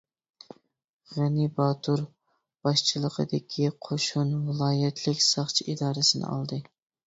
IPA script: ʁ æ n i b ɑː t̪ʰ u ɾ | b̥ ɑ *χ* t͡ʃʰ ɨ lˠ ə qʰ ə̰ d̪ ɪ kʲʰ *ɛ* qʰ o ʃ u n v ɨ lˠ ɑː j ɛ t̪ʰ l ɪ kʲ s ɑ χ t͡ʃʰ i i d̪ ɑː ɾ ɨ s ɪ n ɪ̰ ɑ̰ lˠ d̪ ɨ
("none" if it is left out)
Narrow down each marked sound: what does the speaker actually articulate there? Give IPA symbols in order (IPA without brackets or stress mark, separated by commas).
ʃ, i